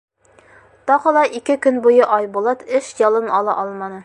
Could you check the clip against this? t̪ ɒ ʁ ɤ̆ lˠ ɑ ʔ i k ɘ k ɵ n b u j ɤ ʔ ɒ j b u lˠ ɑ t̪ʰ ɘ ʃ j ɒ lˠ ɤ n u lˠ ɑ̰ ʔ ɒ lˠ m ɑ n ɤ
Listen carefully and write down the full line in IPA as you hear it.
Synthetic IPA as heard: t̪ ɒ ʁ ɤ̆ lˠ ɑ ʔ i k ɘ k ɵ n b u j ɤ ʔ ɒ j b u lˠ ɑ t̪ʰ ɘ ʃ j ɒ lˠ ɤ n ɒ lˠ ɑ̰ ʔ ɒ lˠ m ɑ n ɤ